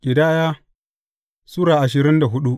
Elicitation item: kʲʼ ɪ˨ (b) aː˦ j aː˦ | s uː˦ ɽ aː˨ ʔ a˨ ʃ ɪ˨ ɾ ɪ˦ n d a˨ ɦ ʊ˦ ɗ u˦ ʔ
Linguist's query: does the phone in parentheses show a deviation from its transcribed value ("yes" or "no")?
yes